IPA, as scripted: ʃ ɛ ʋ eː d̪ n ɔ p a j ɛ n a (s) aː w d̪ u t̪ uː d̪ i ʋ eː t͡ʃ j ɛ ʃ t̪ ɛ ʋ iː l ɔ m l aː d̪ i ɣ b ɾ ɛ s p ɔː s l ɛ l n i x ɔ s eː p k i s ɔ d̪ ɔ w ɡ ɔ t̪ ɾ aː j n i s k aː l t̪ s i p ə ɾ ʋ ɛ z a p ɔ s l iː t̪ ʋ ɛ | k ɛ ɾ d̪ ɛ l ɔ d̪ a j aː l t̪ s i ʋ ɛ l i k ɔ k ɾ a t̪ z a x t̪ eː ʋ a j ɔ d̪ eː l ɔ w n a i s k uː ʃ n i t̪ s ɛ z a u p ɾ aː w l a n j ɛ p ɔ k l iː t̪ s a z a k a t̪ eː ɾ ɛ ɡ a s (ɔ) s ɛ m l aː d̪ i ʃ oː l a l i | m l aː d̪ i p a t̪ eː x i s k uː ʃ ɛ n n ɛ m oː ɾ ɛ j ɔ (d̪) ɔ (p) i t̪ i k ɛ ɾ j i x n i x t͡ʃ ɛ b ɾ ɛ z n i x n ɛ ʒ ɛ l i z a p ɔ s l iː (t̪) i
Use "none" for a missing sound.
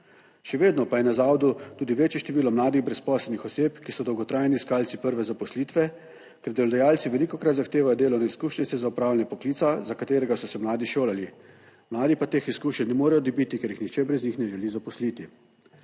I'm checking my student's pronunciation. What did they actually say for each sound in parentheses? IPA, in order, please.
z, ɔ, d̪, b, t̪

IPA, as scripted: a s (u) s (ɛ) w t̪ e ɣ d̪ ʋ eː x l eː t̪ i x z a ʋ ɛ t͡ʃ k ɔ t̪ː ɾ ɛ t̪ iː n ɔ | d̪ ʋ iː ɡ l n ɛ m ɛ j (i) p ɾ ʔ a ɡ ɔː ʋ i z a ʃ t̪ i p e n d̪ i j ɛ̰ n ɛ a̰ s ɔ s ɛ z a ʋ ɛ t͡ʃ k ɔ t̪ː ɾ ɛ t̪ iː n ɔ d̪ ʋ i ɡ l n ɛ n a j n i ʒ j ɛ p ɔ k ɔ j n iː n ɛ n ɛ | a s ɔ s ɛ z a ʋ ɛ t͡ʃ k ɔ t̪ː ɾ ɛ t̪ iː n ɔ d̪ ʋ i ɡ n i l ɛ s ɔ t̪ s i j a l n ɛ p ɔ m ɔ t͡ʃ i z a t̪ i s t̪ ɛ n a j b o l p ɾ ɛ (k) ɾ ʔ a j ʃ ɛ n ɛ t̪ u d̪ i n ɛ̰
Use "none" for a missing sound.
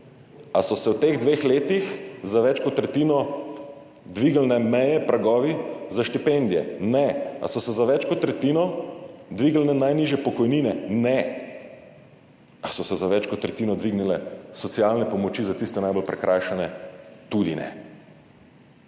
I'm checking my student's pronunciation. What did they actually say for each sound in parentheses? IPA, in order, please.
ɔ, ɛ, ɛ, k

